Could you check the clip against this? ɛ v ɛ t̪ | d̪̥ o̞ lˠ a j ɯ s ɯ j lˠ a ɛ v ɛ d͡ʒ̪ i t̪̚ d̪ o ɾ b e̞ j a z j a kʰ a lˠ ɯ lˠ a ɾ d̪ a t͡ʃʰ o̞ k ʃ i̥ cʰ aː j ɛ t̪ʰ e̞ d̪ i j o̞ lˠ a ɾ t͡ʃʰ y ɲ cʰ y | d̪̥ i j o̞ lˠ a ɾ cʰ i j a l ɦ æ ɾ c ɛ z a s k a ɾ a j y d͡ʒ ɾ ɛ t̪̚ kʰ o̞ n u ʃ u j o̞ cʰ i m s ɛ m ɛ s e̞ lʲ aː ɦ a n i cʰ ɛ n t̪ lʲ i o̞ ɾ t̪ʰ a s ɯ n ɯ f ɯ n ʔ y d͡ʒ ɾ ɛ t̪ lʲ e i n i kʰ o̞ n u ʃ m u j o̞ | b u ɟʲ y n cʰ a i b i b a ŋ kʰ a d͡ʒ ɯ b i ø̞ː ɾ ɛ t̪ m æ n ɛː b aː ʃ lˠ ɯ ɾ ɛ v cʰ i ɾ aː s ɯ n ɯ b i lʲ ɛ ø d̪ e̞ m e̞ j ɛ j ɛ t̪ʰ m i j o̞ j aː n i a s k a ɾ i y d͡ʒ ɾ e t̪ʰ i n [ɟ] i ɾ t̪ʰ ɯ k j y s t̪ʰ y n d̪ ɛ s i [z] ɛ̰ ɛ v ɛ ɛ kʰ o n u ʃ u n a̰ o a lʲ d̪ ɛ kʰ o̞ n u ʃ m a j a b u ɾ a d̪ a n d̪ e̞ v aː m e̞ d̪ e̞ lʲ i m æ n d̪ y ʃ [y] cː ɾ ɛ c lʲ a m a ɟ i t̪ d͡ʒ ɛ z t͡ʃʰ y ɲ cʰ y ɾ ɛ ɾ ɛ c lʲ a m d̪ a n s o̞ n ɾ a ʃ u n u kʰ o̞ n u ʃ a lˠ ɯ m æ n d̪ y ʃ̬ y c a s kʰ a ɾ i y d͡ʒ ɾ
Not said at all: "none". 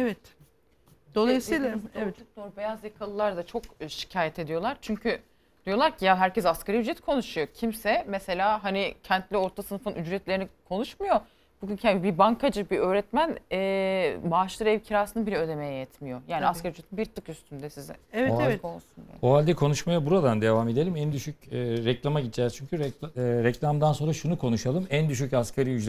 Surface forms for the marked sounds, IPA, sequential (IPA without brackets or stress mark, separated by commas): b, z, y